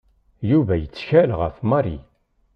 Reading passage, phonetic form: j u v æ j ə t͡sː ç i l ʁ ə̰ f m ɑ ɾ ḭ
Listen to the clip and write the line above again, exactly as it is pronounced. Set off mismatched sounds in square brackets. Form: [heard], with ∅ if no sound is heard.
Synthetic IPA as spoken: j u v æ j ə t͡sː ç [æ] l ʁ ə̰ f m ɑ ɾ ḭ